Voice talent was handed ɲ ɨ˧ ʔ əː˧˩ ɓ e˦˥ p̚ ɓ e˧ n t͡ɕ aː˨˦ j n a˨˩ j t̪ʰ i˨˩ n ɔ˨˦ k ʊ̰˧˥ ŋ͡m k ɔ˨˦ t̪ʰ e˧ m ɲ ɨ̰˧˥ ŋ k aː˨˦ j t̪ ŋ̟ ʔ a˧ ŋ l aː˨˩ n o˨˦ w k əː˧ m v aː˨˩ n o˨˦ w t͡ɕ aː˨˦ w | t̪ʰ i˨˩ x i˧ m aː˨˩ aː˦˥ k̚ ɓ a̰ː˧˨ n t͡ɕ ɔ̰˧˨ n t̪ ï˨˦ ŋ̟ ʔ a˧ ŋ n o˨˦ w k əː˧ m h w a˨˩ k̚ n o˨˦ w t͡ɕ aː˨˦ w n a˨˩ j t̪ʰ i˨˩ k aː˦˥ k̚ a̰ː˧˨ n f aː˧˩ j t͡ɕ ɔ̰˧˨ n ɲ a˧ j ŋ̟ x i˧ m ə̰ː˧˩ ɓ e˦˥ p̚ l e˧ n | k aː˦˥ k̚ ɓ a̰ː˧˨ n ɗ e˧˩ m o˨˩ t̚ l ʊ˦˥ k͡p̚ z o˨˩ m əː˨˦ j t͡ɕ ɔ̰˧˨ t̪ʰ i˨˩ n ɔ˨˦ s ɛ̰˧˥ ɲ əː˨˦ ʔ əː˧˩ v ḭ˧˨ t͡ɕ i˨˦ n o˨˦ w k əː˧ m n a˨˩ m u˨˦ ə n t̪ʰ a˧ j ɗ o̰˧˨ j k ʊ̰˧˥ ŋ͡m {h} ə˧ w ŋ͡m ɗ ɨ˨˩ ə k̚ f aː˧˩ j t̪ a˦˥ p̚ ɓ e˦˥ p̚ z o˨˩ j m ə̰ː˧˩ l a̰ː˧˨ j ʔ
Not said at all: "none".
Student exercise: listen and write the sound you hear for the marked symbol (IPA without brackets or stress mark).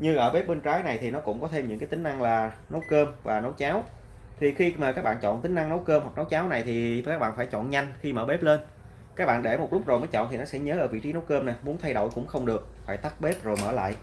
x